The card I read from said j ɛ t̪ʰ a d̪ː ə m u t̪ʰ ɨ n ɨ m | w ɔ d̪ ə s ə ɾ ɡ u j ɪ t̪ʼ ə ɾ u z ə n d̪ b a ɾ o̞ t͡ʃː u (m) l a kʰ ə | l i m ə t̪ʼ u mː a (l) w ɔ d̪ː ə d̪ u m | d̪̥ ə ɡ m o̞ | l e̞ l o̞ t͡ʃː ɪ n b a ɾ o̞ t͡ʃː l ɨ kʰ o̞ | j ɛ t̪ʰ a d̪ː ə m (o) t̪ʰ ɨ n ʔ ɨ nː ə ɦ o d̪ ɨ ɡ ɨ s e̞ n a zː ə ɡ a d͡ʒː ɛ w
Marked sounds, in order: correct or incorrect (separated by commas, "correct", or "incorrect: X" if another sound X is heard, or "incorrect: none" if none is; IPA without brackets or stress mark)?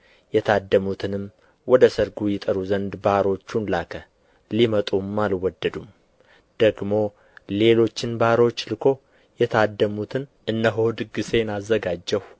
incorrect: n, correct, incorrect: u